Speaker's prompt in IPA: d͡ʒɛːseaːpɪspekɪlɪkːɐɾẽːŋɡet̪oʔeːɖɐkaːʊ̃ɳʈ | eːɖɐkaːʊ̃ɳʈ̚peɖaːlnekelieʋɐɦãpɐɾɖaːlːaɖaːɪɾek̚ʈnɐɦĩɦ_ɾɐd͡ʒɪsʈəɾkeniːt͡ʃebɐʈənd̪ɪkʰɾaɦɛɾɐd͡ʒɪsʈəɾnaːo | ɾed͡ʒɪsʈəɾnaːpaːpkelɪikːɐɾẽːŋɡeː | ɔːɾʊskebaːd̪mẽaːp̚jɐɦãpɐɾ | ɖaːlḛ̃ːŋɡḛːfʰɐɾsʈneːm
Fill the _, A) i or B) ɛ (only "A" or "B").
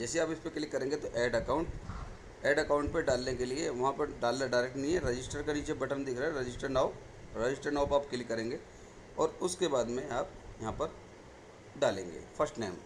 B